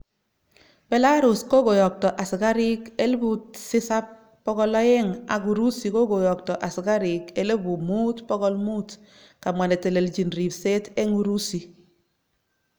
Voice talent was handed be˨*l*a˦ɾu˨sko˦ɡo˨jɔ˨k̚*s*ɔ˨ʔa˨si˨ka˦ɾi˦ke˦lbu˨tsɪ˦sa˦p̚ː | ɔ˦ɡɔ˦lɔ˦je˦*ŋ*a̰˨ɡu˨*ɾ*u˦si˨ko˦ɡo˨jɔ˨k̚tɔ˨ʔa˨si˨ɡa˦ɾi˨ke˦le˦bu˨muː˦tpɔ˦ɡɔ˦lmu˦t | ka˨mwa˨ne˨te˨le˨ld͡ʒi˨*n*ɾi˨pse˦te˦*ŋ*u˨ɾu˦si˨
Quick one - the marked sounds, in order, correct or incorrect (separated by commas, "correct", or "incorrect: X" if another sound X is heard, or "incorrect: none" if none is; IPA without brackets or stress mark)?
correct, incorrect: t, correct, correct, correct, correct